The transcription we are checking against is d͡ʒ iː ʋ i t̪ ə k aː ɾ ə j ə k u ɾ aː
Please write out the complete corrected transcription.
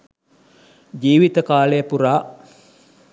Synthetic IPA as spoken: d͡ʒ iː ʋ i t̪ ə k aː l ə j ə p u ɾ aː

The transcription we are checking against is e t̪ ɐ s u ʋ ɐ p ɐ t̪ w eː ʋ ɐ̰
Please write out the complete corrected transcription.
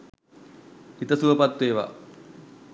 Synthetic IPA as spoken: i t̪ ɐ s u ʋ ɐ p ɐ t̪ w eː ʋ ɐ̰

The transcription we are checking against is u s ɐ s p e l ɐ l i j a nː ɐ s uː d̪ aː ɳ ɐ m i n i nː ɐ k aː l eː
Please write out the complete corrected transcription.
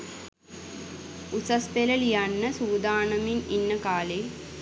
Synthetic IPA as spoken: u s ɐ s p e l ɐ l i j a nː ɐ s uː d̪ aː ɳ ɐ m i n i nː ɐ k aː l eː

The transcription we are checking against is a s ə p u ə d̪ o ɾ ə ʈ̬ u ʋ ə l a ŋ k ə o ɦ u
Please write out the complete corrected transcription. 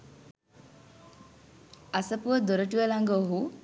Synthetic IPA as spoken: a s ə p u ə d̪ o ɾ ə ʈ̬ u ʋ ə l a ŋ ɡ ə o ɦ u

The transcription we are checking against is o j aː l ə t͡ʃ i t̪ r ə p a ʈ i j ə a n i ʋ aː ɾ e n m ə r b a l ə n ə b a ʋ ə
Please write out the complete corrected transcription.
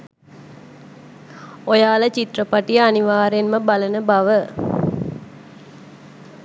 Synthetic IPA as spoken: o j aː l ə t͡ʃ i t̪ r ə p a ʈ i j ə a n i ʋ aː ɾ e n m ə b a l ə n ə b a ʋ ə

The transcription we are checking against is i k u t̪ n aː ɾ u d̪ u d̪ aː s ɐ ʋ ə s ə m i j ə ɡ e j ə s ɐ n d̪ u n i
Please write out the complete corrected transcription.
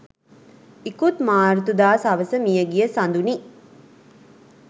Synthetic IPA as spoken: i k u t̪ m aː ɾ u t̪ u d̪ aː s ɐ ʋ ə s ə m i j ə ɡ i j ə s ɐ n d̪ u n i

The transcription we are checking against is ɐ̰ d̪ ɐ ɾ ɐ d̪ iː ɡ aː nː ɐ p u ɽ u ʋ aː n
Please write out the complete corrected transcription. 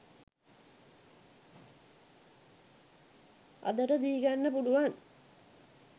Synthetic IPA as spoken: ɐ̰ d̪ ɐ ɾ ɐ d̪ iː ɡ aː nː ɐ p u ɽ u ʋ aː n

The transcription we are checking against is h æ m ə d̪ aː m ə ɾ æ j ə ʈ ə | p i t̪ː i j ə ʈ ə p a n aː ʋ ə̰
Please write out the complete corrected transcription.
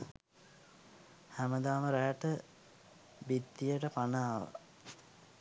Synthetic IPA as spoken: h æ m ə d̪ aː m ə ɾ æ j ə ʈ ə | b i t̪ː i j ə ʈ ə p a n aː ʋ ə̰

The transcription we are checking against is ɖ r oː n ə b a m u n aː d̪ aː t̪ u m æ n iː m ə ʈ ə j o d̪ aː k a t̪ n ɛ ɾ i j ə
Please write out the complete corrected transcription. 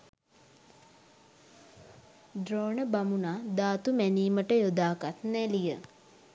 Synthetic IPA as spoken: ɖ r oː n ə b a m u n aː d̪ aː t̪ u m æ n iː m ə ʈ ə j o d̪ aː k a t̪ n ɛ l i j ə

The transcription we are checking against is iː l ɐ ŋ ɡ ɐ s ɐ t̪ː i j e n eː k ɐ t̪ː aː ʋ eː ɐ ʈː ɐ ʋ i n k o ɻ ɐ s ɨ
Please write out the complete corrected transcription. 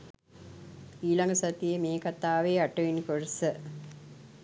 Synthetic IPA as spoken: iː l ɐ ŋ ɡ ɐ s ɐ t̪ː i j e m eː k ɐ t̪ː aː ʋ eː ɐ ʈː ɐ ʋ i n k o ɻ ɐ s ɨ

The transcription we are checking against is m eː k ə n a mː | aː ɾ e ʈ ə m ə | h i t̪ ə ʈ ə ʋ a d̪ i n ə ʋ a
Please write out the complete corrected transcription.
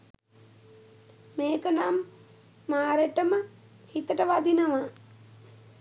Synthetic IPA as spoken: m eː k ə n a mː | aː ɾ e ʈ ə m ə | h i t̪ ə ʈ ə ʋ a d̪ i n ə ʋ a

